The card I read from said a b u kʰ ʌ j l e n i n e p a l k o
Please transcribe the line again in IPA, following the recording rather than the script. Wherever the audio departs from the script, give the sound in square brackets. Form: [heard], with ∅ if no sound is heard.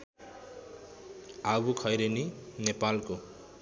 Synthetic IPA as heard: a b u kʰ ʌ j [ɾ] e n i n e p a l k o